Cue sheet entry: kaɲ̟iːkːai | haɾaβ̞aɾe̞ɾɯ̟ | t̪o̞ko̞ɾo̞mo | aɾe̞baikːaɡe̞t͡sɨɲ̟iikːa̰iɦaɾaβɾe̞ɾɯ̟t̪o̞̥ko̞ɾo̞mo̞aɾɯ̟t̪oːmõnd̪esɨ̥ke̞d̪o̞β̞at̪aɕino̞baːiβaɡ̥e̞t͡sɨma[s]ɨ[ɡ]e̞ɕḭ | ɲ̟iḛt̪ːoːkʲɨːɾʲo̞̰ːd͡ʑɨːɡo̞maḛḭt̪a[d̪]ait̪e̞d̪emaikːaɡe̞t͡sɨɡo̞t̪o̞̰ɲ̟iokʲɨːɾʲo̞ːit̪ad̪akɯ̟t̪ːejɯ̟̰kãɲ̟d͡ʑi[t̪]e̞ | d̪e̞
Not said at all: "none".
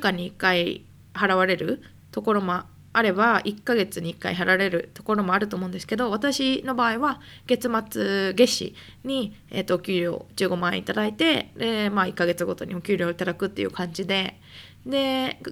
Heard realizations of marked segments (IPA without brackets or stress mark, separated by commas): t͡s, ɡ, d̪, d̪